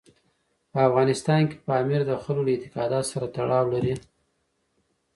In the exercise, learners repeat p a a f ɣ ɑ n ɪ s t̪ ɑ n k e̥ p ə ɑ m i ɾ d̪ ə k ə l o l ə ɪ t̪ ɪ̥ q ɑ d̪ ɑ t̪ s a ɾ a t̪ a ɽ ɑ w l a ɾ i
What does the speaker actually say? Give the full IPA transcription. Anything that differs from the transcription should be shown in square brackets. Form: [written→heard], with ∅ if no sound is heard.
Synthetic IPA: p [a→ə] a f ɣ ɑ n ɪ s t̪ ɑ n k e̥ p ə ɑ m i ɾ d̪ ə [k→x] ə l o l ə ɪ t̪ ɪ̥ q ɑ d̪ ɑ t̪ s a ɾ a t̪ a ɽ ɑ w l a ɾ i